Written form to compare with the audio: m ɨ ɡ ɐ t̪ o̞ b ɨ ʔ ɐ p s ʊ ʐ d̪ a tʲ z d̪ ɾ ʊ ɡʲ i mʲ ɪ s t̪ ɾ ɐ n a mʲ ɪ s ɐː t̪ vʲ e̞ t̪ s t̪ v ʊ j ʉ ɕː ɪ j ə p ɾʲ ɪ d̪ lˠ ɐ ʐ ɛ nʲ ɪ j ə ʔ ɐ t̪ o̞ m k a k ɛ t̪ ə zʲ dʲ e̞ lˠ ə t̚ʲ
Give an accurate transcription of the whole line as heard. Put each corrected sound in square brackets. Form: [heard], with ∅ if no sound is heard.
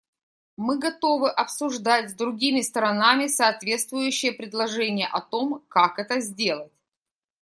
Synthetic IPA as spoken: m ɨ ɡ ɐ t̪ o̞ [v] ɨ ʔ ɐ p s ʊ ʐ d̪ a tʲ z d̪ ɾ ʊ ɡʲ i mʲ ɪ s t̪ ɾ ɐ n a mʲ ɪ s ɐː t̪ vʲ e̞ t̪ s t̪ v ʊ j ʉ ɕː ɪ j ə p ɾʲ ɪ d̪ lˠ ɐ ʐ ɛ nʲ ɪ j ə ʔ ɐ t̪ o̞ m k a k ɛ t̪ ə zʲ dʲ e̞ lˠ ə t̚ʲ